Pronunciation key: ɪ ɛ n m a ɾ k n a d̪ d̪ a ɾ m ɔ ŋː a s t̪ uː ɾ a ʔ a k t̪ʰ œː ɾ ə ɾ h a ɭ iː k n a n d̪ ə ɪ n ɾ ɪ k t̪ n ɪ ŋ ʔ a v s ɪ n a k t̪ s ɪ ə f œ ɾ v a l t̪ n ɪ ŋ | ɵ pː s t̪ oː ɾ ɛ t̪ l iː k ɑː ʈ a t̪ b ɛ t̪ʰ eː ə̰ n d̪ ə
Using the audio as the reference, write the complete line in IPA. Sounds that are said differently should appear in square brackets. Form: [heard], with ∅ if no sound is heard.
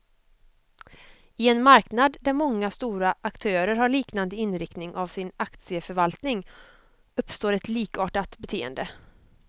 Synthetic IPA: ɪ ɛ n m a ɾ k n a d̪ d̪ [æ] ɾ m ɔ ŋː a s t̪ uː ɾ a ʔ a k t̪ʰ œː ɾ ə ɾ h a ɭ iː k n a n d̪ ə ɪ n ɾ ɪ k t̪ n ɪ ŋ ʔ a v s ɪ n a k t̪ s ɪ ə f œ ɾ v a l t̪ n ɪ ŋ | ɵ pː s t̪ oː ɾ ɛ t̪ l iː k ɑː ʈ a t̪ b ɛ t̪ʰ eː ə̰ n d̪ ə

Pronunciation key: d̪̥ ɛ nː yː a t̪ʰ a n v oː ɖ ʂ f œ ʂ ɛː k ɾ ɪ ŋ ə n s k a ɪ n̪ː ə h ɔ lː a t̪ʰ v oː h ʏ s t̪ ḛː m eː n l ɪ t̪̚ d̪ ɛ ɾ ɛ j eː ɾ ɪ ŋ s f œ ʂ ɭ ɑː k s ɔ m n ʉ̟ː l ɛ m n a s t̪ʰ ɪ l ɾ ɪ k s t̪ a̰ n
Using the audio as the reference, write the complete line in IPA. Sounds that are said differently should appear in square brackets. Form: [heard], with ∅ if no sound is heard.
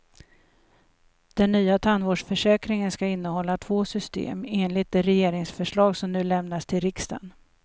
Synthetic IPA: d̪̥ ɛ nː yː a t̪ʰ a n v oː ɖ ʂ f œ ʂ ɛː k ɾ ɪ ŋ ə n s k a ɪ n̪ː ə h ɔ lː a t̪ʰ v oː [s] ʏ s t̪ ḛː m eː n l ɪ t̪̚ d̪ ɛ ɾ ɛ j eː ɾ ɪ ŋ s f œ ʂ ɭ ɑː [ɡ] s ɔ m n ʉ̟ː l ɛ m n a s t̪ʰ ɪ l ɾ ɪ k s t̪ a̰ n

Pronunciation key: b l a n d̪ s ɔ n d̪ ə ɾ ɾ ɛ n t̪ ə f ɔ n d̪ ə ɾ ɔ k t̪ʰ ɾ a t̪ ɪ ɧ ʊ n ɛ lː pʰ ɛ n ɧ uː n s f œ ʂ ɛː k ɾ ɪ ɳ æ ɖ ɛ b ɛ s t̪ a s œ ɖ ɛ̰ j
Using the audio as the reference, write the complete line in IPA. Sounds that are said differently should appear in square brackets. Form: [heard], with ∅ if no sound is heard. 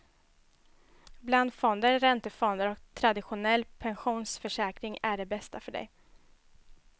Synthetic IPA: b l a n d̪ [f] ɔ n d̪ ə ɾ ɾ ɛ n t̪ ə f ɔ n d̪ ə ɾ ɔ k t̪ʰ ɾ a [d̪] ɪ ɧ ʊ n ɛ lː pʰ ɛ n ɧ uː n s f œ ʂ ɛː k ɾ ɪ [ŋ] æ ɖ ɛ b ɛ s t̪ a [f] œ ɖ ɛ̰ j

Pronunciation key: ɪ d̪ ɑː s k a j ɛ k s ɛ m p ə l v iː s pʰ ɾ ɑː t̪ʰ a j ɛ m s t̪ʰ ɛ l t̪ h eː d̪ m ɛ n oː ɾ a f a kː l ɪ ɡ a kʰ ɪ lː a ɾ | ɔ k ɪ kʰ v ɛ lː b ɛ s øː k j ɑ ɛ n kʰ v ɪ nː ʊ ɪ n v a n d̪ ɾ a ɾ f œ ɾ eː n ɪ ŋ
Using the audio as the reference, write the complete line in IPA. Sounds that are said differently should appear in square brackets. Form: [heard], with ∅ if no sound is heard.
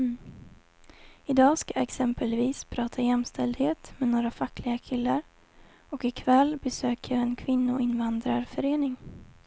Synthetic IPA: ɪ d̪ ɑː s k a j ɛ k s ɛ m p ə l v iː s pʰ ɾ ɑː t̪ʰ a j ɛ m s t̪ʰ ɛ l [d̪] h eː [t̪] m ɛ n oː ɾ a f a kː l ɪ ɡ a kʰ ɪ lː a ɾ | ɔ k ɪ kʰ v ɛ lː b ɛ s øː k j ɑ ɛ n kʰ v ɪ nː ʊ ɪ n v a n d̪ ɾ a ɾ f œ ɾ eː n ɪ ŋ

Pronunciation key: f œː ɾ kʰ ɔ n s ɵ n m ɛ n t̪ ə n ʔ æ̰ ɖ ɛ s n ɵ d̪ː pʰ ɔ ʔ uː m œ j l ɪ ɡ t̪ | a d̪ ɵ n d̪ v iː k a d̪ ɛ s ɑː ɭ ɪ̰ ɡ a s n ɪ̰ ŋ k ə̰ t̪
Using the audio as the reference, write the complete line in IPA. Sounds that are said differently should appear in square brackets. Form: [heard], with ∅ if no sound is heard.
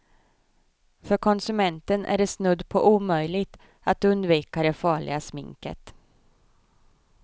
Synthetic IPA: f [œ] ɾ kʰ ɔ n s ɵ [∅] m ɛ n t̪ ə n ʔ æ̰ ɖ ɛ s n ɵ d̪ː pʰ ɔ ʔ uː m œ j l ɪ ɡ t̪ | a [t̪] ɵ n d̪ v iː k a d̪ ɛ [f] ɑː ɭ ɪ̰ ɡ a s [m] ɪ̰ ŋ k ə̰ t̪

